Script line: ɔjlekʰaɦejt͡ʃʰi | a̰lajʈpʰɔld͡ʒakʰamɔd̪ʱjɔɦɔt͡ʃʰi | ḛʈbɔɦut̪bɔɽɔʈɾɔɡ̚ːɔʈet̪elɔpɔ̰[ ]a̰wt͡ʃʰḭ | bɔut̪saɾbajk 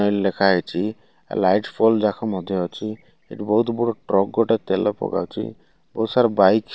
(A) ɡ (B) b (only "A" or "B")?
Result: A